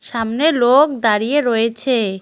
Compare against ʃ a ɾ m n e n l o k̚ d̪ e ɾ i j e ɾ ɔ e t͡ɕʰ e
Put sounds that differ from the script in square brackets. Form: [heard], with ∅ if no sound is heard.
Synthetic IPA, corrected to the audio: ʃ a [∅] m n e [∅] l o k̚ d̪ [a] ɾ i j e ɾ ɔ e t͡ɕʰ e